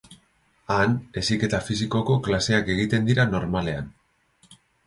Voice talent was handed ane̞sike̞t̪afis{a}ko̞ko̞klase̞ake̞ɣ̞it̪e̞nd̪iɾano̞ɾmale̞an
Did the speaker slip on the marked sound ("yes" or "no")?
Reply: yes